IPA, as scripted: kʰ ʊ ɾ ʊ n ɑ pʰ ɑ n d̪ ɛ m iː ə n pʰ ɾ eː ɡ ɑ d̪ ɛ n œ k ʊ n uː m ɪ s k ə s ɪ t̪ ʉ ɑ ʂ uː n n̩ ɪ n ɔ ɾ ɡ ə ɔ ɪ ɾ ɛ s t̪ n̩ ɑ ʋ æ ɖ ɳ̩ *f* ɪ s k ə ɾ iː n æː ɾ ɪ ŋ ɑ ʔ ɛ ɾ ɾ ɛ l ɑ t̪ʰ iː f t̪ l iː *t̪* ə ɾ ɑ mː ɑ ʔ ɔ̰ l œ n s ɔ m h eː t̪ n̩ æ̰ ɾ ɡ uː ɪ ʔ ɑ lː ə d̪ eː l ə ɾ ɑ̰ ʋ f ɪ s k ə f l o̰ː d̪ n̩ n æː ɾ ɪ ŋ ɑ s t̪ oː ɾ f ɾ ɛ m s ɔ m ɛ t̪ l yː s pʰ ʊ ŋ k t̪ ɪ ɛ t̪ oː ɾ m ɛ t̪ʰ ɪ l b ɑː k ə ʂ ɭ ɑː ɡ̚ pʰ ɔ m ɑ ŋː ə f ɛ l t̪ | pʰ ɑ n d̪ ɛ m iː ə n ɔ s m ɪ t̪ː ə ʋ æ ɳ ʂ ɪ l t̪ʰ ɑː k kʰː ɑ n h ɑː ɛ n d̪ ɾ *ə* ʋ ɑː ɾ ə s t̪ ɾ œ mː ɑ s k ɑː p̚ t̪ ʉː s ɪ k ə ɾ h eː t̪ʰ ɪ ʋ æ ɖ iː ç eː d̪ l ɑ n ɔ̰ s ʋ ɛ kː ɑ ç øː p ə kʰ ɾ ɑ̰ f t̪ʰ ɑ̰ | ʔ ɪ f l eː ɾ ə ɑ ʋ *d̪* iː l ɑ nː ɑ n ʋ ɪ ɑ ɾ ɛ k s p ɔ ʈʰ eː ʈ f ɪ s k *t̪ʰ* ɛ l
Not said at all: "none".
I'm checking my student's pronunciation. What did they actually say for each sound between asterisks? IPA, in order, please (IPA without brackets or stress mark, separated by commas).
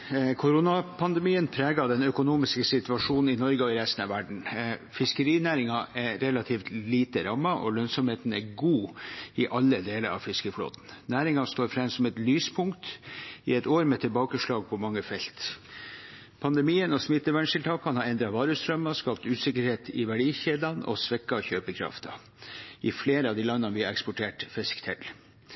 f, t̪, ɑ, d̪, t̪ʰ